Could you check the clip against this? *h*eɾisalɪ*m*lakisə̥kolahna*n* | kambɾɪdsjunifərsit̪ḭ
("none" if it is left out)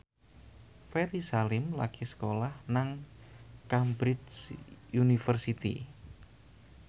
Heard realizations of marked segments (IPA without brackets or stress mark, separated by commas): f, m, ŋ